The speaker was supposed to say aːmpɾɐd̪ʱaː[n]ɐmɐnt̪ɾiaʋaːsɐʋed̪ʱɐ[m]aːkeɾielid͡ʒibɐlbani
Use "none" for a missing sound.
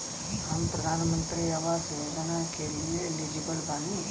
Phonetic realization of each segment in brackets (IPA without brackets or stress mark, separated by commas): n, n